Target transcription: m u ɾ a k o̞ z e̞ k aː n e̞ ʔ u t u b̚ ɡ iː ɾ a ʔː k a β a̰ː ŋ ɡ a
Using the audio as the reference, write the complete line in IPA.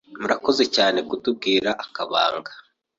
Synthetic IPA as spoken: m u ɾ a k o̞ z e̞ c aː n e̞ k u t u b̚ ɡ iː ɾ a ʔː k a β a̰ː ŋ ɡ a